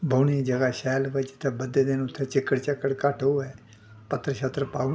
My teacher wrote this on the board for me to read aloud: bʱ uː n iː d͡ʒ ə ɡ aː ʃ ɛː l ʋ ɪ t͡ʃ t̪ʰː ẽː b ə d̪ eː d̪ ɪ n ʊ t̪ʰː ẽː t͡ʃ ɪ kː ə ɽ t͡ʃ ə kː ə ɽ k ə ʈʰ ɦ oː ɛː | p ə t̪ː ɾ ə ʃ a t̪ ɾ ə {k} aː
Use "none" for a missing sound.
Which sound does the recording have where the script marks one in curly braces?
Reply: p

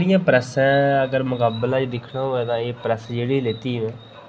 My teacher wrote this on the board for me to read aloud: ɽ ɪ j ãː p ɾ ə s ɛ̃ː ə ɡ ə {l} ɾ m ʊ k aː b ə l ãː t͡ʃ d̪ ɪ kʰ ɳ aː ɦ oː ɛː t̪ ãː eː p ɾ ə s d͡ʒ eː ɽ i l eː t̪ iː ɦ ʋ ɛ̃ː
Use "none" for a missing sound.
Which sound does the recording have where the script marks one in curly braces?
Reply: none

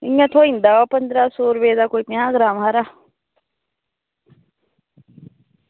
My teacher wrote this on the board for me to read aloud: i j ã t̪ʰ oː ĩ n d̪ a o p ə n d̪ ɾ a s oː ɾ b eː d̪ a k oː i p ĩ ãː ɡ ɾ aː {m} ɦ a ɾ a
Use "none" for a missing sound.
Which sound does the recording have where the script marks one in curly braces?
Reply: m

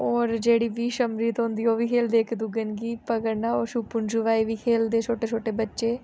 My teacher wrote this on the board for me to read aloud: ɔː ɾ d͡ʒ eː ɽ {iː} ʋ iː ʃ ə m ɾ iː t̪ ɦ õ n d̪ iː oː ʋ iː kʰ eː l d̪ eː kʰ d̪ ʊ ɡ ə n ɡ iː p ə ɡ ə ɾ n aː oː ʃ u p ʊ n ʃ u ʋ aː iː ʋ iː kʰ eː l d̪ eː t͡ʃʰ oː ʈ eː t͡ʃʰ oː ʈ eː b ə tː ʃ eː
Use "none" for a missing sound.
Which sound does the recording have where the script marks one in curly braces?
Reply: iː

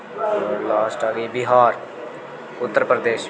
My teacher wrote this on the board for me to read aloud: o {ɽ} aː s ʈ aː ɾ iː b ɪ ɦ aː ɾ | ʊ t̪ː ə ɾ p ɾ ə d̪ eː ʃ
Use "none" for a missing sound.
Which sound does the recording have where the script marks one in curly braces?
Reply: l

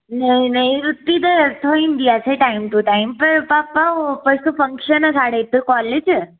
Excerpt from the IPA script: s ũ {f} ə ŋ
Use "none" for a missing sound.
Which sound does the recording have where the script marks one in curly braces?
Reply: f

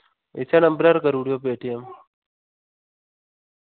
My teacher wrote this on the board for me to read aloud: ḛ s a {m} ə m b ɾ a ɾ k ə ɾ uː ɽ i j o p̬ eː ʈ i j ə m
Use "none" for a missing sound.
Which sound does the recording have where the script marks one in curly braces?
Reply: n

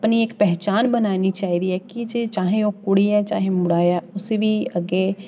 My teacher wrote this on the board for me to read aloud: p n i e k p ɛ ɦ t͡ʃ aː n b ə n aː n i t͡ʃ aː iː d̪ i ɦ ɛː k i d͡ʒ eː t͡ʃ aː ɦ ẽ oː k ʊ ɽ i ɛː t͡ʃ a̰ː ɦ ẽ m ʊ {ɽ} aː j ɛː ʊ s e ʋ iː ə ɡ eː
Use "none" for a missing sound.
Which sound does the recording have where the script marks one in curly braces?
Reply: ɽ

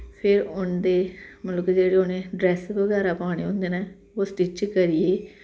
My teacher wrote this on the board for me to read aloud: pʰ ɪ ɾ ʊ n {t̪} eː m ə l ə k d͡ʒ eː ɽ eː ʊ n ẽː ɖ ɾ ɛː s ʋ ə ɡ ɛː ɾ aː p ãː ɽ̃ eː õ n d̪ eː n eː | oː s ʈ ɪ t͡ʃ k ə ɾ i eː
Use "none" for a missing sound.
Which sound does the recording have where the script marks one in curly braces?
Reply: d̪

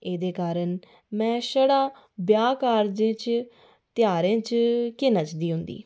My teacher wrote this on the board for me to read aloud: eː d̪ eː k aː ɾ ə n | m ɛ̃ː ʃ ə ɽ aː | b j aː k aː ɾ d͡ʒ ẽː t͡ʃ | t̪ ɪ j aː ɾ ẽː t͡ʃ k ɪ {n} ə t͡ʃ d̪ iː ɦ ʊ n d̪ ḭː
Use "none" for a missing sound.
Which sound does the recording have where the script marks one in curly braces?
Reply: n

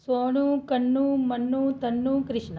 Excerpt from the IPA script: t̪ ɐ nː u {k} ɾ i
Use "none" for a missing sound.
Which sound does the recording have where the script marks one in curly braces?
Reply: k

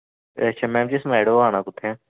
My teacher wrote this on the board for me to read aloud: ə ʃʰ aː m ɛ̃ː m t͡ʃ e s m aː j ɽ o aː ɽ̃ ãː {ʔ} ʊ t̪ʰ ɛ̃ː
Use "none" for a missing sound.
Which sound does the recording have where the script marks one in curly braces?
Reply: k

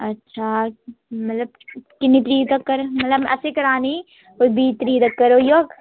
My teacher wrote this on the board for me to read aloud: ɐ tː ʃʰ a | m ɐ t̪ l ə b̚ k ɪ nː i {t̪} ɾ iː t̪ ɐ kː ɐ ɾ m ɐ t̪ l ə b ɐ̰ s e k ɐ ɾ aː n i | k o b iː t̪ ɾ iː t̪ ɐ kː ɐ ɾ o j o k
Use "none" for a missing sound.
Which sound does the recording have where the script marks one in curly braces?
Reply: t̪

